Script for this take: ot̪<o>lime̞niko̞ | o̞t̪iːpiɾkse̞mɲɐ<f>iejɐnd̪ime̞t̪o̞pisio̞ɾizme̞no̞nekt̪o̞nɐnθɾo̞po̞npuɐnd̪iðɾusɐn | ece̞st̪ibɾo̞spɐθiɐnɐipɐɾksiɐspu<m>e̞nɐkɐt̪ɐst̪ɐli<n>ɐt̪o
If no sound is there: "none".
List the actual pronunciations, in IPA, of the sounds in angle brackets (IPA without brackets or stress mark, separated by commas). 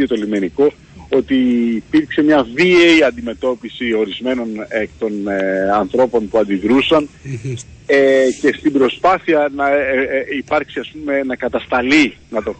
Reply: o, v, m, n